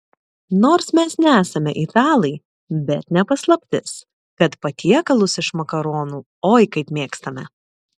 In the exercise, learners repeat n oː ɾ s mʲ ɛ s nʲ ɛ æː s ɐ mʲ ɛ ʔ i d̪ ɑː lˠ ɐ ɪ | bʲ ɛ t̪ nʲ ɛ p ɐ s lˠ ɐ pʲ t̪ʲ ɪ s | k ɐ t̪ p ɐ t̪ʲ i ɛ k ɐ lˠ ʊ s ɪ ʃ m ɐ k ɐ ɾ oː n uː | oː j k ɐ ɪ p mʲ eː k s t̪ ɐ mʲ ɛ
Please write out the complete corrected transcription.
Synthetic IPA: n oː ɾ s mʲ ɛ s nʲ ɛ æː s ɐ mʲ ɛ ʔ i t̪ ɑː lˠ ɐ ɪ | bʲ ɛ t̪ nʲ ɛ p ɐ s lˠ ɐ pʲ t̪ʲ ɪ s | k ɐ t̪ p ɐ t̪ʲ i ɛ k ɐ lˠ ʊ s ɪ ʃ m ɐ k ɐ ɾ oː n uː | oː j k ɐ ɪ p mʲ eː k s t̪ ɐ mʲ ɛ